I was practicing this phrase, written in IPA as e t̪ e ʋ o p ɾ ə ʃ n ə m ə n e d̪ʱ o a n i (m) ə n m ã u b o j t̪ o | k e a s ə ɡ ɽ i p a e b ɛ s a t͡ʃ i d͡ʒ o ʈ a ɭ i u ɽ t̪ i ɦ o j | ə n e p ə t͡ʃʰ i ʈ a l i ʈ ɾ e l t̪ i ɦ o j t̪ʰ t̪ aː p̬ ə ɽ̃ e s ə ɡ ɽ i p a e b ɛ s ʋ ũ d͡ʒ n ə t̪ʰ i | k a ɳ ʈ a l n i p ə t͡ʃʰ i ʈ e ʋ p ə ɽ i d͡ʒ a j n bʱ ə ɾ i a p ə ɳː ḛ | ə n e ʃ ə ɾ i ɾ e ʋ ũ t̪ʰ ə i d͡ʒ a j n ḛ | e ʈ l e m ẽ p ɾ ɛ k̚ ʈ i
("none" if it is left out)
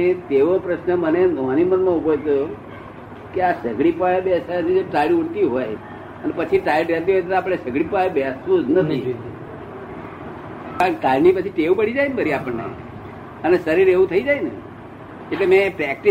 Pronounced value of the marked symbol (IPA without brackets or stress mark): m